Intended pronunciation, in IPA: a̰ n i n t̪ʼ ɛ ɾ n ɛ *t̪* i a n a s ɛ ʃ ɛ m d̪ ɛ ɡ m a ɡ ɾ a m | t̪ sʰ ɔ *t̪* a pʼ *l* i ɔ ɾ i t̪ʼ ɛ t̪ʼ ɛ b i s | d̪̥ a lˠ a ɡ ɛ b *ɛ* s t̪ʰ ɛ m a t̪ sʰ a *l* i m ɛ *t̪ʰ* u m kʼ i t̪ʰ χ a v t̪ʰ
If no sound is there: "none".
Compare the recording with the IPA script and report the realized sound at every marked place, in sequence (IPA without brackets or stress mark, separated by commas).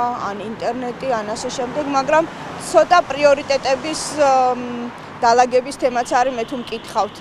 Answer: t̪ʼ, t̪ʼ, ɾ, i, ɾ, t̪ʰ